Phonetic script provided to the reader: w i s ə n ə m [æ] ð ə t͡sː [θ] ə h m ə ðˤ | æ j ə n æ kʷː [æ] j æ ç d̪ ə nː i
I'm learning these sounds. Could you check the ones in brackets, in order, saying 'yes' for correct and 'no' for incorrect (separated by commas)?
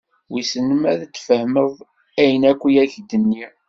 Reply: yes, no, no